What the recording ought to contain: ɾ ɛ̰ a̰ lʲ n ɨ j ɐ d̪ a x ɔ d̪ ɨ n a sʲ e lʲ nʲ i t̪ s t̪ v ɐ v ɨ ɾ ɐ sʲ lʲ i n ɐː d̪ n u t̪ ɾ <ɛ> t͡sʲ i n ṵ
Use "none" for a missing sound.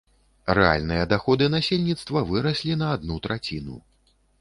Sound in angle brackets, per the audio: a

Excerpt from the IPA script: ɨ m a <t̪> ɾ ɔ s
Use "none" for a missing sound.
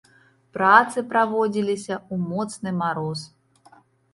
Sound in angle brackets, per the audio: none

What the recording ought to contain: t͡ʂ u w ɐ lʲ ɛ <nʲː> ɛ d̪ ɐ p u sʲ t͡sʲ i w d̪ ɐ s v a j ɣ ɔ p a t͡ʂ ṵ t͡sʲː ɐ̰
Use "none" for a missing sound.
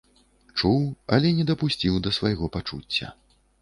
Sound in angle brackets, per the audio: nʲ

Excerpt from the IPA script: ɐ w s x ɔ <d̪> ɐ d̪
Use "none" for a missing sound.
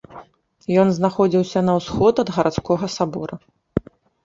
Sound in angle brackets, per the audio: t̪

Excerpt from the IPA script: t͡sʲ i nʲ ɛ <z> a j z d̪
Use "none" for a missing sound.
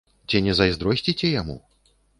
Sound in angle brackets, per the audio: z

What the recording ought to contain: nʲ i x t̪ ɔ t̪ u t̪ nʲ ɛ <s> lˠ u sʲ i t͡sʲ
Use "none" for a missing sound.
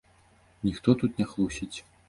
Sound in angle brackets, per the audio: x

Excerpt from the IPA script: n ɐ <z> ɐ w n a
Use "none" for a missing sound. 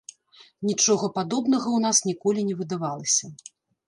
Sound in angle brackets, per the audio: ɣ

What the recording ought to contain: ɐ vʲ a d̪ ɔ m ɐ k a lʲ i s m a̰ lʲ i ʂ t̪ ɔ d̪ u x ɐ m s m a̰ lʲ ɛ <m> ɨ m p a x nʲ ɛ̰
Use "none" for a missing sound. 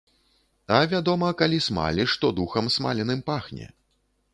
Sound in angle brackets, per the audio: n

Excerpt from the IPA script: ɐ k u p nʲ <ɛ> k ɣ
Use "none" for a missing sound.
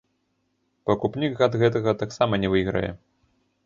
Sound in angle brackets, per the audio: i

